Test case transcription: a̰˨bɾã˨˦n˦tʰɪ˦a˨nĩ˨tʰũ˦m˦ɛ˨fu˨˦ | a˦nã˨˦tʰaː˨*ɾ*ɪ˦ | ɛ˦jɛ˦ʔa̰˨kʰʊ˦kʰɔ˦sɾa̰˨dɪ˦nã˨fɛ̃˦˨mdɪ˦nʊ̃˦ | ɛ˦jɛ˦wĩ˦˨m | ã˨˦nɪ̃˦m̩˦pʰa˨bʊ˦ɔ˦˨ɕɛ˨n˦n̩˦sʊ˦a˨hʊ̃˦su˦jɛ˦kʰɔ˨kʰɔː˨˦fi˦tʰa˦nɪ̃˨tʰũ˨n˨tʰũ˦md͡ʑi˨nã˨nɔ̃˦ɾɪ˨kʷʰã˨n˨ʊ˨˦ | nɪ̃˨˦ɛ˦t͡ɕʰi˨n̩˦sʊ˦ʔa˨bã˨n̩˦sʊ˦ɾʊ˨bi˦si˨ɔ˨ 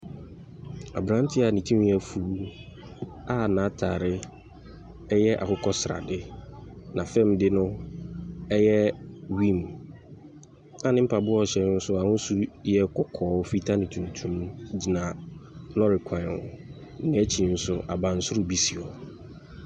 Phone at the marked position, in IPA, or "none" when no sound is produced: ɾ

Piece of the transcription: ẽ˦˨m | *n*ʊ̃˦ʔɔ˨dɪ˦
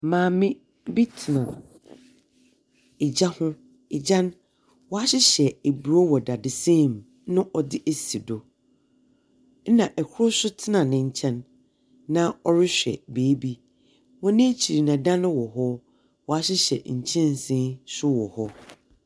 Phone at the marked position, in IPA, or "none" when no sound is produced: n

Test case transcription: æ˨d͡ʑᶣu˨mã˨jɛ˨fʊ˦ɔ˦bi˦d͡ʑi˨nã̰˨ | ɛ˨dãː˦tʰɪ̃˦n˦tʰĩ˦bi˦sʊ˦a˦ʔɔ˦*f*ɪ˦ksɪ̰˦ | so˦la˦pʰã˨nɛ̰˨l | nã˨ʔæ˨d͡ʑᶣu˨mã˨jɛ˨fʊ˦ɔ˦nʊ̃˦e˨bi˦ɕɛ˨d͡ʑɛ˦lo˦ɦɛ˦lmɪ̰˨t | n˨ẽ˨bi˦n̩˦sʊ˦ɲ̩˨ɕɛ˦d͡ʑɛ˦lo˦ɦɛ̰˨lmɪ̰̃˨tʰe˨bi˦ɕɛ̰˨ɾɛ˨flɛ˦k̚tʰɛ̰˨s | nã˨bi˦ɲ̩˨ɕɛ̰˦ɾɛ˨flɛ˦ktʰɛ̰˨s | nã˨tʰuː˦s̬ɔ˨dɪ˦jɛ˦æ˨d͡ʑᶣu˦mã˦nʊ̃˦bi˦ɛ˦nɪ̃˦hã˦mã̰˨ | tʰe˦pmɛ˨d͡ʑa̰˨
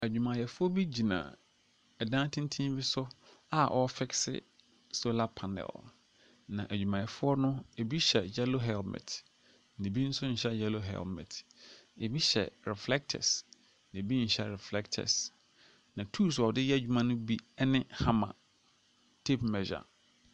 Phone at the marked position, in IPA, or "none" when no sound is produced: f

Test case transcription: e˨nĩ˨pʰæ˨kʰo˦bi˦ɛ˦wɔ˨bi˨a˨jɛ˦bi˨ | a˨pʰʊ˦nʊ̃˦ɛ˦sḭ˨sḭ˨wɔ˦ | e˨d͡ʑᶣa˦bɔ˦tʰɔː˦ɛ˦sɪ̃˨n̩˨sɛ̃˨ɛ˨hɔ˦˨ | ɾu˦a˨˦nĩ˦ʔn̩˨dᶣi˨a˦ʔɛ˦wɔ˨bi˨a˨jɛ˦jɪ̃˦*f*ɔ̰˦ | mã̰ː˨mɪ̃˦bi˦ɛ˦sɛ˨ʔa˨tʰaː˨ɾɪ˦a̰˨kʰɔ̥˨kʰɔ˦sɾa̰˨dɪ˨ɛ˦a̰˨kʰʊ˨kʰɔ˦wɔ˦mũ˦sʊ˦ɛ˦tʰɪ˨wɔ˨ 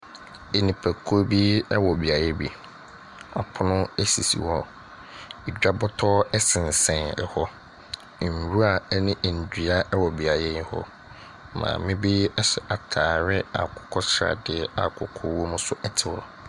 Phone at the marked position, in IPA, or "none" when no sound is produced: h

